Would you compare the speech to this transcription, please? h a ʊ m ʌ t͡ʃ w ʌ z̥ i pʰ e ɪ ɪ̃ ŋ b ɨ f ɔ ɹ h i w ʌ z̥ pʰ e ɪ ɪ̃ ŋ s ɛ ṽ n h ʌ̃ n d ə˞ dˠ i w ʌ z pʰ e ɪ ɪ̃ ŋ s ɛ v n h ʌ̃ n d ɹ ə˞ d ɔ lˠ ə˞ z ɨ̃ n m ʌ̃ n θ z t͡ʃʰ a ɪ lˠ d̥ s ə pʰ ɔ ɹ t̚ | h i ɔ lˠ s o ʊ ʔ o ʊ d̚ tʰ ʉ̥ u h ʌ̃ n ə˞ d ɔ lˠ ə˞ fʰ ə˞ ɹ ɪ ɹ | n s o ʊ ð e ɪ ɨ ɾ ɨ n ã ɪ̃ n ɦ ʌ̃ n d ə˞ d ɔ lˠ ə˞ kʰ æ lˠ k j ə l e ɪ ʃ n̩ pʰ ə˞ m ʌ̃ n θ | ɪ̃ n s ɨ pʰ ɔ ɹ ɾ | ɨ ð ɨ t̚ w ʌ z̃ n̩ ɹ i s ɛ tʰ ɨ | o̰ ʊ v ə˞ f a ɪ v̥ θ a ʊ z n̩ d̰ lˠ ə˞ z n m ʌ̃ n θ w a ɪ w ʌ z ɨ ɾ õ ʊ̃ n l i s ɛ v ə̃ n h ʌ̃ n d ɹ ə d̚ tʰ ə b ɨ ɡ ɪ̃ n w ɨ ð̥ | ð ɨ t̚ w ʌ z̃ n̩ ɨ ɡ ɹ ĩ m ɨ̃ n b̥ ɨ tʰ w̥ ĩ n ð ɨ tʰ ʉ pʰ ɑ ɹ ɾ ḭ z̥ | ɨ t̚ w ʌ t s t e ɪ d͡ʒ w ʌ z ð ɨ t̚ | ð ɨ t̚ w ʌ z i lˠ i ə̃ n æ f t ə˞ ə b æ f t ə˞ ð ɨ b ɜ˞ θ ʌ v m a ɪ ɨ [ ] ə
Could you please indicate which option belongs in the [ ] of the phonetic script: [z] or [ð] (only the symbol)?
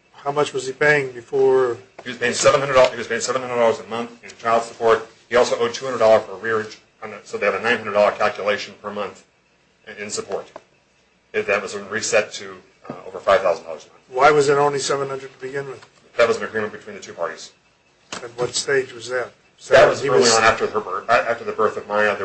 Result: ð